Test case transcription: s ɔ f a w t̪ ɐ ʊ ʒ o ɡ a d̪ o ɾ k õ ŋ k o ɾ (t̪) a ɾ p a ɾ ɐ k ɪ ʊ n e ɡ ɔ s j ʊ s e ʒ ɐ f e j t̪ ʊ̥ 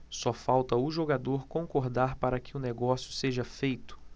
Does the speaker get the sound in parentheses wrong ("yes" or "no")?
yes